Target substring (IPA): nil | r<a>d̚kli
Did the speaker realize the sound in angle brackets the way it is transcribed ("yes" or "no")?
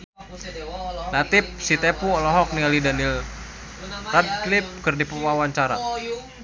yes